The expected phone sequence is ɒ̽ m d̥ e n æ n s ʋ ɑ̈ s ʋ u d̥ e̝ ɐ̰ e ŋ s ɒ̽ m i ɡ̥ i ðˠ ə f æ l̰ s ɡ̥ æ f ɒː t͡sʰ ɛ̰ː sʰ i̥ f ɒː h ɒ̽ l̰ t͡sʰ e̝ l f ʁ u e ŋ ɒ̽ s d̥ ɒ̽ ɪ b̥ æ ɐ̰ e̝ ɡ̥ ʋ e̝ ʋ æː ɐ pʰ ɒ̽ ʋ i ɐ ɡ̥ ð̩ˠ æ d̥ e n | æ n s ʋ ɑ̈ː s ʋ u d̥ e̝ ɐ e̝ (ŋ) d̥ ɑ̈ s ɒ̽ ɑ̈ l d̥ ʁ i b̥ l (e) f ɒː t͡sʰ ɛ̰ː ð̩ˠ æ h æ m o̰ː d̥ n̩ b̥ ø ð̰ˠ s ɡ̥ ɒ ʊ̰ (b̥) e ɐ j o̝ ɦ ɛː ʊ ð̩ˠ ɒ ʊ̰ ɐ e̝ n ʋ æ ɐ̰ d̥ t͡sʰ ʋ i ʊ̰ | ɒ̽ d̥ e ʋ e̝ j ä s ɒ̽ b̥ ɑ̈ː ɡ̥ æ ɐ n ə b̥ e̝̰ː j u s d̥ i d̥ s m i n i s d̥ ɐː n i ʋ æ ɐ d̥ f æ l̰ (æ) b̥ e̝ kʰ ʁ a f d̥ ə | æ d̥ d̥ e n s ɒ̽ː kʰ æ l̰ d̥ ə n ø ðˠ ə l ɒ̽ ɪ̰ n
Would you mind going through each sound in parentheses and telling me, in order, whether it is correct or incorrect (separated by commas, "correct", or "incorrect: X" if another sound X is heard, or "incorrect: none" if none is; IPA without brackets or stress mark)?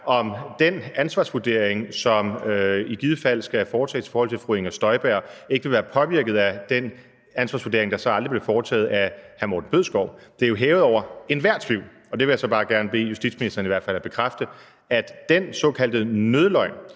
correct, correct, incorrect: d̥, correct